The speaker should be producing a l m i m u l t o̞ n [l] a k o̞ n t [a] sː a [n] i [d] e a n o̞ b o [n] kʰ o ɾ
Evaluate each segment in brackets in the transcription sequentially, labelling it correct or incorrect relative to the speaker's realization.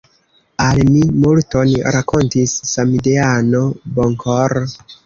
incorrect: ɾ, incorrect: i, incorrect: m, correct, incorrect: ŋ

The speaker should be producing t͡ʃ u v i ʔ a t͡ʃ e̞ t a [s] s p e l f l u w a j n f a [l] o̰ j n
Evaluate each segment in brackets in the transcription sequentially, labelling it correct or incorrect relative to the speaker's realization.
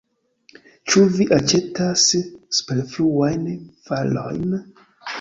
correct, correct

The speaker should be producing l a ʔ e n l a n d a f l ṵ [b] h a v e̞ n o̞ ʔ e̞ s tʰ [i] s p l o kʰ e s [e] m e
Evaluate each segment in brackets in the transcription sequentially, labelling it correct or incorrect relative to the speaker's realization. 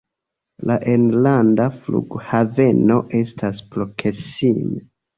incorrect: ɡ, incorrect: a, incorrect: i

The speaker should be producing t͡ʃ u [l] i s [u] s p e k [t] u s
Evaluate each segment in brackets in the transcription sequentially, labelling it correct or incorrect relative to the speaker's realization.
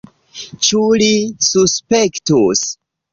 correct, correct, correct

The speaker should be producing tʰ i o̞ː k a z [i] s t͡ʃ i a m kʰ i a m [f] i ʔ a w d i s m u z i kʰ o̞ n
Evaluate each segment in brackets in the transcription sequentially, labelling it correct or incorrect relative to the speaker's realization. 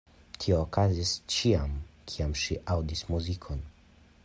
correct, incorrect: ʃ

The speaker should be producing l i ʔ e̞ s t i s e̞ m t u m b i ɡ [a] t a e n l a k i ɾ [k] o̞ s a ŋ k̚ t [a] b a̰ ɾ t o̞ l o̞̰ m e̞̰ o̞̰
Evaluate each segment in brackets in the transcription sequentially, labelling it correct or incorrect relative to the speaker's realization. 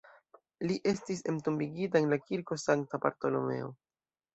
incorrect: i, correct, correct

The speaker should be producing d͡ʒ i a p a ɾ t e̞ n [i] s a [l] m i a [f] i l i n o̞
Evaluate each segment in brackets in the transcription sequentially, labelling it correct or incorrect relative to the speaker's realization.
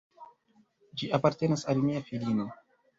incorrect: a, correct, correct

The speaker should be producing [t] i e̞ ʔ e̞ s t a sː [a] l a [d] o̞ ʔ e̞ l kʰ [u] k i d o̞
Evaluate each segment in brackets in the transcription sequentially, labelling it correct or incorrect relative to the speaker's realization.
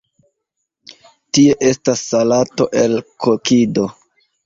correct, correct, incorrect: t, incorrect: o

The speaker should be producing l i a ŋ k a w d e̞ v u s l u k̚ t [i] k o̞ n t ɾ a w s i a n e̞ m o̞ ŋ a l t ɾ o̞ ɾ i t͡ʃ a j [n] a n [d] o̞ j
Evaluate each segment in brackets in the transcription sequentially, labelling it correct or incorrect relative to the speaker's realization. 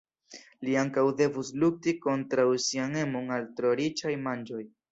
correct, incorrect: m, incorrect: d͡ʒ

